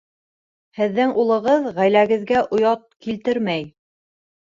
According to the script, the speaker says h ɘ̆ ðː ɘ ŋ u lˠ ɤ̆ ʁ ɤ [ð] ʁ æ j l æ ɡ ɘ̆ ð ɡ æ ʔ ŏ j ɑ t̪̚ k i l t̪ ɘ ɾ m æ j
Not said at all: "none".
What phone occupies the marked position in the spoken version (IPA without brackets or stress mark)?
ð